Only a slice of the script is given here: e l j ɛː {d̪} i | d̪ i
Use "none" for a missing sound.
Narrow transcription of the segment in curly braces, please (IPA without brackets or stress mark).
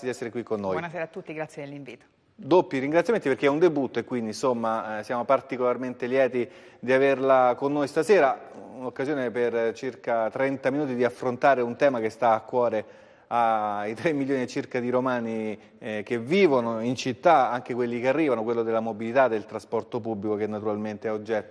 t̪